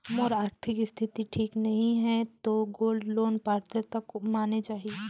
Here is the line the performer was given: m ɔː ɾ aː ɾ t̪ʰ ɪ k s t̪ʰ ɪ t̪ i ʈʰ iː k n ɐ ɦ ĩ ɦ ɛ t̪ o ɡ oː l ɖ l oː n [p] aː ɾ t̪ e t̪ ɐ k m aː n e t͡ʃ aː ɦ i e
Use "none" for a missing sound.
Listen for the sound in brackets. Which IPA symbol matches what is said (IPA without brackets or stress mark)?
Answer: p